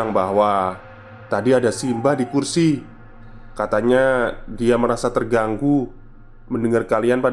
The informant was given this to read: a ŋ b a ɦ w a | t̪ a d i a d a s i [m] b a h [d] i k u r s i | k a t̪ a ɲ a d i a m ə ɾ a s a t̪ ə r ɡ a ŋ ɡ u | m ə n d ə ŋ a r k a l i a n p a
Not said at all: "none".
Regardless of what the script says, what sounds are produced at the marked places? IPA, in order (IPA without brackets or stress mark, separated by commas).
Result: m, d